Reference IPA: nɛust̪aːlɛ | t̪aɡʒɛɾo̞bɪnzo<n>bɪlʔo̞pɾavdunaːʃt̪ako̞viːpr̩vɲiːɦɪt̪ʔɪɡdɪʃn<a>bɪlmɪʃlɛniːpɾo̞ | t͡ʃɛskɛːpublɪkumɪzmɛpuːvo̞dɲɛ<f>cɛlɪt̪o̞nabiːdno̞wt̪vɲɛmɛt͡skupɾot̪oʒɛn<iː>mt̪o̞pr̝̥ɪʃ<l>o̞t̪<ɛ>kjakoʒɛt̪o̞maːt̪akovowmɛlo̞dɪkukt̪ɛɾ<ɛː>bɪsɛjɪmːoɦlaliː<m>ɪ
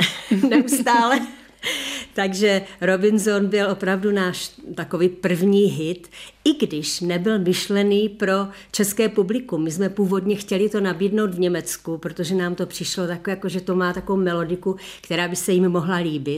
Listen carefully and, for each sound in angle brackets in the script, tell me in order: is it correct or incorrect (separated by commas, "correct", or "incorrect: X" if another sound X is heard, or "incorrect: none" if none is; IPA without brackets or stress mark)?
correct, incorrect: ɛ, incorrect: x, incorrect: aː, correct, incorrect: a, incorrect: aː, incorrect: b